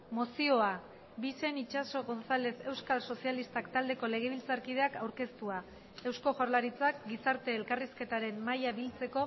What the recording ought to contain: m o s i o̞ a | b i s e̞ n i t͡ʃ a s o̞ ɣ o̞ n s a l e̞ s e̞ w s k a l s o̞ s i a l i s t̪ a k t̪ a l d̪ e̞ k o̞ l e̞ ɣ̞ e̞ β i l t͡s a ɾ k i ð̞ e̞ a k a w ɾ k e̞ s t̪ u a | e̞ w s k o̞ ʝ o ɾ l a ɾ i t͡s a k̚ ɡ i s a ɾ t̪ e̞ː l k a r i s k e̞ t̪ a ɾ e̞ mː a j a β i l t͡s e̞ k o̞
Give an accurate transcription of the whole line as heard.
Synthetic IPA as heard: m o s i o̞ a | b i s e̞ n i t͡ʃ a s o̞ ɣ o̞ n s a l e̞ s e̞ w s k a l s o̞ s i a l i s t̪ a k t̪ a l d̪ e̞ k o̞ l e̞ ɣ̞ e̞ β i l t͡s a ɾ k i ð̞ e̞ a k a w ɾ k e̞ s t̪ u a | e̞ w s k o̞ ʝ o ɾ l a ɾ i t͡s a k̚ ɡ i s a ɾ t̪ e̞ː l k a r i s k e̞ t̪ a ɾ e̞ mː a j a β i l t͡s e̞ k o̞

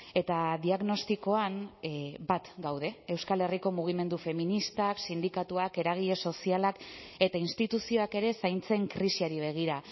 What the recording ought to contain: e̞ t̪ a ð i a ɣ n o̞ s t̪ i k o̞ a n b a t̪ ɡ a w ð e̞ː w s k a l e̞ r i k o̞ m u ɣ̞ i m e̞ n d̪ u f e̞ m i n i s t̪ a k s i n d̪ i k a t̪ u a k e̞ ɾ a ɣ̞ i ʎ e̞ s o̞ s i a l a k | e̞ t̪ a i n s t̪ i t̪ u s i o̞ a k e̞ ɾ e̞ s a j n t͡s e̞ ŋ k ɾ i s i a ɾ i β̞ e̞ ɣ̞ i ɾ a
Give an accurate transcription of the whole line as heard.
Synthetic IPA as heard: e̞ t̪ a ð i a ɣ n o̞ s t̪ i k o̞ a n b a t̪ ɡ a w ð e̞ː w s k a l e̞ r i k o̞ m u ɣ̞ i m e̞ n d̪ u f e̞ m i n i s t̪ a k s i n d̪ i k a t̪ u a k e̞ ɾ a ɣ̞ i ʎ e̞ s o̞ s i a l a k | e̞ t̪ a i n s t̪ i t̪ u s i o̞ a k e̞ ɾ e̞ s a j n t͡s e̞ ŋ k ɾ i s i a ɾ i β̞ e̞ ɣ̞ i ɾ a

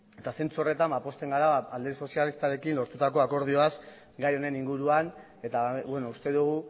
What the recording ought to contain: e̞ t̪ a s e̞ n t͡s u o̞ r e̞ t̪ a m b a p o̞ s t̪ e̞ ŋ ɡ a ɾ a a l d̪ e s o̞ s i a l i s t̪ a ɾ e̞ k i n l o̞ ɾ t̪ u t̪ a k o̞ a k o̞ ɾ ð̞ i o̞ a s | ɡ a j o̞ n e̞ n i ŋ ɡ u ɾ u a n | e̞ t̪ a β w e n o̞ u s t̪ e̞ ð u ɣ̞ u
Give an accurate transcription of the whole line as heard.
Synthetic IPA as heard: e̞ t̪ a s e̞ n t͡s u o̞ r e̞ t̪ a m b a p o̞ s t̪ e̞ ŋ ɡ a ɾ a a l d̪ e s o̞ s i a l i s t̪ a ɾ e̞ k i n l o̞ ɾ t̪ u t̪ a k o̞ a k o̞ ɾ ð̞ i o̞ a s | ɡ a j o̞ n e̞ n i ŋ ɡ u ɾ u a n | e̞ t̪ a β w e n o̞ u s t̪ e̞ ð u ɣ̞ u

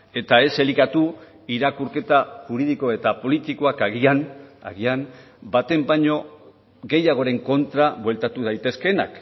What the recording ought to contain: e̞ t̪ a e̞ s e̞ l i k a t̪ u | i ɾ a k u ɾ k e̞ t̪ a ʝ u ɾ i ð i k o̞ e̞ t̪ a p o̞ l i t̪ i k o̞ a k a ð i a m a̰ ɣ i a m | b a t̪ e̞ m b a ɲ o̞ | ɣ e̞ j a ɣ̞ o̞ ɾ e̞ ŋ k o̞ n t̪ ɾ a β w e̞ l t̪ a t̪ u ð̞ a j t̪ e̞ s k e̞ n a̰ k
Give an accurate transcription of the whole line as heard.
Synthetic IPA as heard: e̞ t̪ a e̞ s e̞ l i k a t̪ u | i ɾ a k u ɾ k e̞ t̪ a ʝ u ɾ i ð i k o̞ e̞ t̪ a p o̞ l i t̪ i k o̞ a k a ɣ i a n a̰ ɣ i a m | b a t̪ e̞ m b a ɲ o̞ | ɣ e̞ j a ɣ̞ o̞ ɾ e̞ ŋ k o̞ n t̪ ɾ a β w e̞ l t̪ a t̪ u ð̞ a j t̪ e̞ s k e̞ n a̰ k

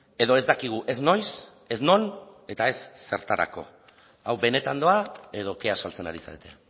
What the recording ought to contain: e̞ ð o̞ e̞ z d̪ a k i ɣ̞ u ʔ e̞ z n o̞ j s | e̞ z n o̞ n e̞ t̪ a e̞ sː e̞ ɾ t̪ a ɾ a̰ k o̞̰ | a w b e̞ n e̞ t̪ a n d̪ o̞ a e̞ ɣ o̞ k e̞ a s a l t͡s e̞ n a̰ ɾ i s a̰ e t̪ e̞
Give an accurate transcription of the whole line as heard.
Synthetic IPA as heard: e̞ ð o̞ e̞ z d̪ a k i ɣ̞ u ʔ e̞ z n o̞ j s | e̞ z n o̞ n e̞ t̪ a e̞ sː e̞ ɾ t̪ a ɾ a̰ k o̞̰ | a w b e̞ n e̞ t̪ a n d̪ o̞ a e̞ ð o̞ k e̞ a s a l t͡s e̞ n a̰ ɾ i s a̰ e t̪ e̞

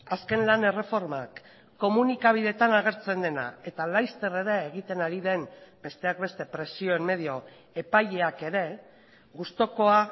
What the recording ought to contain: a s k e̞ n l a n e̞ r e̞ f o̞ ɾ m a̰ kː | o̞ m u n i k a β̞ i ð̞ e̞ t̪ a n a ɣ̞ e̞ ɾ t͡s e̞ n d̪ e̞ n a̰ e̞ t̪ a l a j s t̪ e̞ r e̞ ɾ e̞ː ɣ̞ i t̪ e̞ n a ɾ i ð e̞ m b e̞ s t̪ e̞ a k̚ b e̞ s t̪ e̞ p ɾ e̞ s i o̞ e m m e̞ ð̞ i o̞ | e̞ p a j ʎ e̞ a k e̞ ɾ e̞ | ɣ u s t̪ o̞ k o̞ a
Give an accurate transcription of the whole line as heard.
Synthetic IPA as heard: a s k e̞ n l a n e̞ r e̞ f o̞ ɾ m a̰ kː | o̞ m u n i k a β̞ i ð̞ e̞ t̪ a n a ɣ̞ e̞ ɾ t͡s e̞ n d̪ e̞ n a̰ e̞ t̪ a l a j s t̪ e̞ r e̞ ɾ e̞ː ɣ̞ i t̪ e̞ n a ɾ i ð e̞ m b e̞ s t̪ e̞ a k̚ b e̞ s t̪ e̞ p ɾ e̞ s i o̞ e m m e̞ ð̞ i o̞ | e̞ p a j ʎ e̞ a k e̞ ɾ e̞ | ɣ u s t̪ o̞ k o̞ a

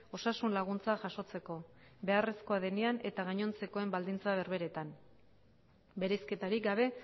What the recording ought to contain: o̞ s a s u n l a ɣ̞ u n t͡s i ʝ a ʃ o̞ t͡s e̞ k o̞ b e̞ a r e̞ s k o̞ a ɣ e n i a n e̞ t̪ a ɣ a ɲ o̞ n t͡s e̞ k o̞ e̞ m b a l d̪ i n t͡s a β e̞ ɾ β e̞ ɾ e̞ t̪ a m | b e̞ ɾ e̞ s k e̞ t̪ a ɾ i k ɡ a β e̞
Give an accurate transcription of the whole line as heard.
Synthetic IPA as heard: o̞ s a s u n l a ɣ̞ u n t͡s a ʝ a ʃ o̞ t͡s e̞ k o̞ b e̞ a r e̞ s k o̞ a ð e n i a n e̞ t̪ a ɣ a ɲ o̞ n t͡s e̞ k o̞ e̞ m b a l d̪ i n t͡s a β e̞ ɾ β e̞ ɾ e̞ t̪ a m | b e̞ ɾ e̞ s k e̞ t̪ a ɾ i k ɡ a β e̞

